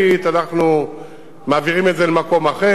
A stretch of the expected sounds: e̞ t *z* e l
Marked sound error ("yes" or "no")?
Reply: no